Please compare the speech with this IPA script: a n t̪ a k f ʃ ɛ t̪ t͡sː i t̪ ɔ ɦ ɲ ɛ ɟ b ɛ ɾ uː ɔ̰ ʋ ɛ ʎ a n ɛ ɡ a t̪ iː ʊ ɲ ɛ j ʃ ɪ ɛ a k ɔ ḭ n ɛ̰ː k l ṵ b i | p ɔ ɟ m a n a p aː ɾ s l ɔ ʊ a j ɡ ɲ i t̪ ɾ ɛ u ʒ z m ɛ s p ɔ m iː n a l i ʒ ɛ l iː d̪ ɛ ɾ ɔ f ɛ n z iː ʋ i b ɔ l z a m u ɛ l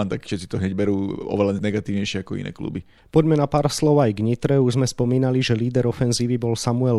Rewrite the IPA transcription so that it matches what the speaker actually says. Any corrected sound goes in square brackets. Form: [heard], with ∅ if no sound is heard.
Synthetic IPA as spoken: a n t̪ a k f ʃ ɛ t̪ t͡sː i t̪ ɔ ɦ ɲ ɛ ɟ b ɛ ɾ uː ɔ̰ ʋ ɛ [l] a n ɛ ɡ a t̪ iː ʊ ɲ ɛ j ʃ ɪ ɛ a k ɔ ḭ n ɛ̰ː k l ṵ b i | p ɔ ɟ m [ɛ] n a p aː ɾ s l ɔ ʊ a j ɡ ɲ i t̪ ɾ ɛ u ʒ z m ɛ s p ɔ m iː n a l i ʒ ɛ l iː d̪ ɛ ɾ ɔ f ɛ n z iː ʋ i b ɔ l [s] a m u ɛ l